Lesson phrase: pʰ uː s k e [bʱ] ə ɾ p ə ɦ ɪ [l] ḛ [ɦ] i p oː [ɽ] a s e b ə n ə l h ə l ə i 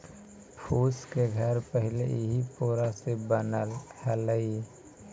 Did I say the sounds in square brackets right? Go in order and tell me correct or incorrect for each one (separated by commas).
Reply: incorrect, correct, correct, incorrect